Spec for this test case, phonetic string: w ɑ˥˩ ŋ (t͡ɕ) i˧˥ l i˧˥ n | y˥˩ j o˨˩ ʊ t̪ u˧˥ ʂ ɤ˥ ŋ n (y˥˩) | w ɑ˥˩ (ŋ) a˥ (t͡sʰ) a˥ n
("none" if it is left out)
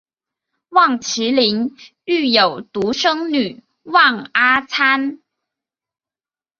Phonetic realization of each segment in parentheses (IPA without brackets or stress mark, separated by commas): t͡ɕʰ, y˨˩, ŋ, t͡sʰ